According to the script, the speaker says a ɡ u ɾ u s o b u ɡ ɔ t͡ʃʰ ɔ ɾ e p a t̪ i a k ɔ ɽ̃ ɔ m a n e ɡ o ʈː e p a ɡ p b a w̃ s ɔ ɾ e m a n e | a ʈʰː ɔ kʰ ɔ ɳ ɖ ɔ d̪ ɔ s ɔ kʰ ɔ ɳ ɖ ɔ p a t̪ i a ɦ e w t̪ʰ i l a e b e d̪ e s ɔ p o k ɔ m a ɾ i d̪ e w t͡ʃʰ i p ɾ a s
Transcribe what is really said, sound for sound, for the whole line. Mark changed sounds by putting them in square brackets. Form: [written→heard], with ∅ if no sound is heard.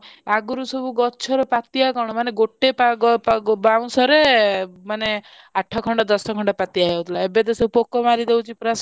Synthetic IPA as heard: a ɡ u ɾ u s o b u ɡ ɔ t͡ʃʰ ɔ ɾ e p a t̪ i a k ɔ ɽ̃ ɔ m a n e ɡ o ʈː e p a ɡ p b a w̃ s ɔ ɾ e m a n e | a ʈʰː ɔ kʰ ɔ ɳ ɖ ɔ d̪ ɔ s ɔ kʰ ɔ ɳ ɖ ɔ p a t̪ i a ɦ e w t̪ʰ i l a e b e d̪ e s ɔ p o k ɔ m a ɾ i d̪ e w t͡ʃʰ i p ɾ a s